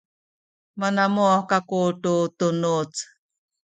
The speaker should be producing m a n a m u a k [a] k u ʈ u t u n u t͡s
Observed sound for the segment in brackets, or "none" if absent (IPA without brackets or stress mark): a